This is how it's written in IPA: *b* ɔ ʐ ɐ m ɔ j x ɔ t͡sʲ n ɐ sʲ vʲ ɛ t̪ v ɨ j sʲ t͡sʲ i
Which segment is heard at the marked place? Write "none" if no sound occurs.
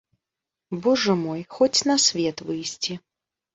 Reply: b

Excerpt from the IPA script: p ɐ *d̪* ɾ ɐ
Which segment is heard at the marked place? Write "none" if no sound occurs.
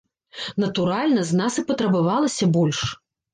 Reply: t̪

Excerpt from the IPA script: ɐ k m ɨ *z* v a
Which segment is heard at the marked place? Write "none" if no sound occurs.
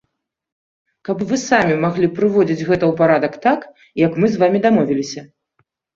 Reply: z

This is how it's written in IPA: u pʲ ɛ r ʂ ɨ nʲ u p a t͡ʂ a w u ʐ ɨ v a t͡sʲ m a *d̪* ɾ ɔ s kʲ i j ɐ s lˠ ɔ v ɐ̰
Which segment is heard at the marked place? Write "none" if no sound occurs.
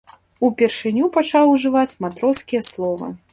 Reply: t̪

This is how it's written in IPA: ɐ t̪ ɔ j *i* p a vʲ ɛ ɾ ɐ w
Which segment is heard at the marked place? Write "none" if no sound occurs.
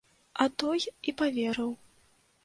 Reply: i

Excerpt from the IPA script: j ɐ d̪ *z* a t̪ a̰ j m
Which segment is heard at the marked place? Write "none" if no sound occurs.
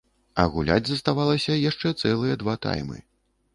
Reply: v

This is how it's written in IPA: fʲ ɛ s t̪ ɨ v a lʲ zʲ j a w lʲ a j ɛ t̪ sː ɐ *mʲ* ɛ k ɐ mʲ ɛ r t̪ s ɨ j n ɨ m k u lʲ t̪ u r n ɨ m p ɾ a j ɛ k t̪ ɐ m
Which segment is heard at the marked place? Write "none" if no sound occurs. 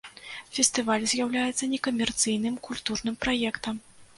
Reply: nʲ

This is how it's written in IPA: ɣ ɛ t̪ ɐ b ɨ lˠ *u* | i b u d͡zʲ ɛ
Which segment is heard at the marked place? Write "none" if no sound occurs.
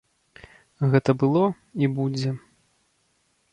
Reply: ɔ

